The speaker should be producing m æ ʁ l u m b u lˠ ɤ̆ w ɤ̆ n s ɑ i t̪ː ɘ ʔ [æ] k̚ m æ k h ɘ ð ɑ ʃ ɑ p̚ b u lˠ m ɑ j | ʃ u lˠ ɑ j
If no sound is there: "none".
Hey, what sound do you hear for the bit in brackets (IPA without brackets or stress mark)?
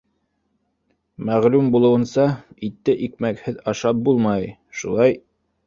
i